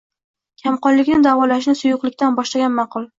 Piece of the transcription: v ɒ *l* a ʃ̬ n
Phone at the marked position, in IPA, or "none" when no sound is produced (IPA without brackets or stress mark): l